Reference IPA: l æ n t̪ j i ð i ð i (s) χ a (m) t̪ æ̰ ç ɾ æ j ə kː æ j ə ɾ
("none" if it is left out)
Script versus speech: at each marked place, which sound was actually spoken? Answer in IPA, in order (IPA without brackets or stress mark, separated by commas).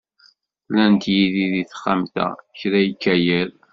θ, m